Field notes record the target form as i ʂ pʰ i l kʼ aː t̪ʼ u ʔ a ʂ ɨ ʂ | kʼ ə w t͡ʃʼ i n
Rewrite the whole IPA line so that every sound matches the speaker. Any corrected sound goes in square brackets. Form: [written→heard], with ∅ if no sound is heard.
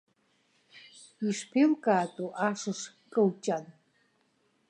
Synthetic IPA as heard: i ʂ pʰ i l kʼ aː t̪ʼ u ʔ a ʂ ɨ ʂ | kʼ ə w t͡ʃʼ [i→a] n

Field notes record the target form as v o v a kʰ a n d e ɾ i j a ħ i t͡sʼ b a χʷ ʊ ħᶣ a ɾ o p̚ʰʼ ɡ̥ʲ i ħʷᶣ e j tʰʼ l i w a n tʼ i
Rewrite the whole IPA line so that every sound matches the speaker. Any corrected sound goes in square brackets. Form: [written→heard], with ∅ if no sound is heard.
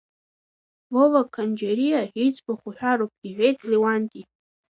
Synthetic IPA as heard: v o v a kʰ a n [d→d͡ʒ] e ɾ i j a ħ i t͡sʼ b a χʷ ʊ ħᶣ a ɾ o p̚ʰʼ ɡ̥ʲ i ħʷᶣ e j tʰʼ l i w a n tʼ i

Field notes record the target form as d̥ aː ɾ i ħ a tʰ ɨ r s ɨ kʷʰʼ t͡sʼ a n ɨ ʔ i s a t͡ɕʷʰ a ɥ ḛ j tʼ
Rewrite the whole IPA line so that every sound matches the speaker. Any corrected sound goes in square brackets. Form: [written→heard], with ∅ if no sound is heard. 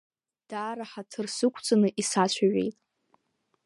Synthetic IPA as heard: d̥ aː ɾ [i→a] ħ a tʰ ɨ r s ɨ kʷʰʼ t͡sʼ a n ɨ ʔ i s a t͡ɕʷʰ a ɥ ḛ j tʼ

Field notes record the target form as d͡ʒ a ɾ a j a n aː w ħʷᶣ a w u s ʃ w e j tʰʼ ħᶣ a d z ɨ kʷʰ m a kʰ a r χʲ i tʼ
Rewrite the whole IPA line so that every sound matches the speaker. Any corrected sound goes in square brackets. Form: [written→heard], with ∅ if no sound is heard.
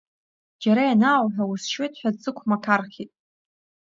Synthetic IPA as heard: d͡ʒ a ɾ a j a n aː w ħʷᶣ a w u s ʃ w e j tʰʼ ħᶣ a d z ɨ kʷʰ m a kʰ a r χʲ i tʼ

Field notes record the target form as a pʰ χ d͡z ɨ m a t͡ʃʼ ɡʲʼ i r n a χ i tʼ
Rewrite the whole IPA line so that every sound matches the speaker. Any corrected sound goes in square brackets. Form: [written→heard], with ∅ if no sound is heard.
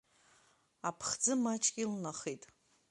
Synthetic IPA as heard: a pʰ χ d͡z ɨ m a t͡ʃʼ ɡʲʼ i [r→l] n a χ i tʼ

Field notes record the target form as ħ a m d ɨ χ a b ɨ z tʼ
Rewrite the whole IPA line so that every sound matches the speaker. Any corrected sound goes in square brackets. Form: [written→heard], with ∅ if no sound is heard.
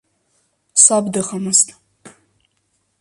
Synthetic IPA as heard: [ħ→s] a [m→b] d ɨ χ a [b→m] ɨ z tʼ

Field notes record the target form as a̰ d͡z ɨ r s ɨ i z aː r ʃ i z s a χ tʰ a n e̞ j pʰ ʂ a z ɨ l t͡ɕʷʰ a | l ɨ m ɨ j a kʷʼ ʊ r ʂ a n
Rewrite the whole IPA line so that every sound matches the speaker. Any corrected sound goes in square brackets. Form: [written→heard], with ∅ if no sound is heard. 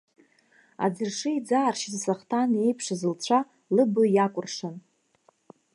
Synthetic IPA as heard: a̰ d͡z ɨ r [s→ʂ] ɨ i [z→d͡z] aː r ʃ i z s a χ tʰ a n e̞ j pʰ ʂ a z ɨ l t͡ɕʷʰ a | l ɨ [m→b] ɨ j a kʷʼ ʊ r ʂ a n

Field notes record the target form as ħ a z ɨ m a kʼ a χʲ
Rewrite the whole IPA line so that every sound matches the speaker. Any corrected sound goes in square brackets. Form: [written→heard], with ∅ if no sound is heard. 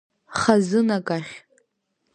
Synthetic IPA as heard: [ħ→χ] a z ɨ [m→n] a kʼ a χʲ

